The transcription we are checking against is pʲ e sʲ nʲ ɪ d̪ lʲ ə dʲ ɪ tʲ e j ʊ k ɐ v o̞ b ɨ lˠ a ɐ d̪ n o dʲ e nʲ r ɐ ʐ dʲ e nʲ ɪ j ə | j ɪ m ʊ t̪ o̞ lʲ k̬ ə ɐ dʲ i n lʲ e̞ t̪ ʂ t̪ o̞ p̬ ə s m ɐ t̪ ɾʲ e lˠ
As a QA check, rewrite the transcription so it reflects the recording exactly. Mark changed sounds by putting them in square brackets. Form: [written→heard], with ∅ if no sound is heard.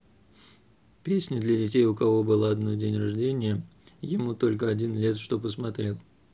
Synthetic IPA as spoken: pʲ e sʲ nʲ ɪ d̪ lʲ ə dʲ ɪ tʲ e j ʊ k ɐ v o̞ b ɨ lˠ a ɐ d̪ n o dʲ e nʲ r ɐ ʐ dʲ e nʲ ɪ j ə | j ɪ m [ʊ→u] t̪ o̞ lʲ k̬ ə ɐ dʲ i n lʲ e̞ t̪ ʂ t̪ o̞ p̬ ə s m ɐ t̪ ɾʲ e lˠ